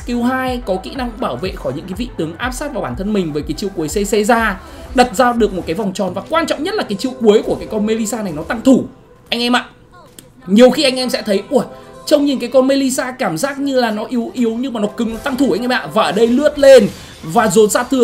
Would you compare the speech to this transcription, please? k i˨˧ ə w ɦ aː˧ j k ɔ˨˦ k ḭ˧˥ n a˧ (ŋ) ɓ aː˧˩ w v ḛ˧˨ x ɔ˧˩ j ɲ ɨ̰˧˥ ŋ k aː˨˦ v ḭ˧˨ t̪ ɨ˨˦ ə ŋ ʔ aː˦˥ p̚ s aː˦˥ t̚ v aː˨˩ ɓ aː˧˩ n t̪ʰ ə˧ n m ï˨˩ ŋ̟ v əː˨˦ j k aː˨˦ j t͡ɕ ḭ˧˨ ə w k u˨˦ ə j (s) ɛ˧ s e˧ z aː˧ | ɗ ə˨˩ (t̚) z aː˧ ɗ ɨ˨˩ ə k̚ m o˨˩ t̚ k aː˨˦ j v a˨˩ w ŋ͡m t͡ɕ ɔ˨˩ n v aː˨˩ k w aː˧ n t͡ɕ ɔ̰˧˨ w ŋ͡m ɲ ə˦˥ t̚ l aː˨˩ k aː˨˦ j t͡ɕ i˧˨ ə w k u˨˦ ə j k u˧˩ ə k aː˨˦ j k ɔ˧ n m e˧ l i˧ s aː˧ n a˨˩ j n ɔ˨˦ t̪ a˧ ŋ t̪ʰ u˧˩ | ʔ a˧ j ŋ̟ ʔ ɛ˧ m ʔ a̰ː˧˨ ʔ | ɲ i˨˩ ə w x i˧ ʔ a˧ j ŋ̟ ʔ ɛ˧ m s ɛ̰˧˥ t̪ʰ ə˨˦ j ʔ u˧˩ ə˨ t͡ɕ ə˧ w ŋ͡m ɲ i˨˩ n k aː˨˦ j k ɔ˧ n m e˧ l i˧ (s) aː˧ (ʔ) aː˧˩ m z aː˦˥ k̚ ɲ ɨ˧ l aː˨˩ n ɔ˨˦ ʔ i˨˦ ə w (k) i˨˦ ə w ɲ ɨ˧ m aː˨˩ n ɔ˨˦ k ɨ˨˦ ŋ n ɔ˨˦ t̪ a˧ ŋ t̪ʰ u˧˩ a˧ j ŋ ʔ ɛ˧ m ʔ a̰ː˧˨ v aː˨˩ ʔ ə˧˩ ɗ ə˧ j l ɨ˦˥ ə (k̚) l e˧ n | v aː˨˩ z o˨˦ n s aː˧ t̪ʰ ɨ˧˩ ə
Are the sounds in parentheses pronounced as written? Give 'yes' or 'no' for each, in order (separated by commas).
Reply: yes, yes, yes, yes, no, no, no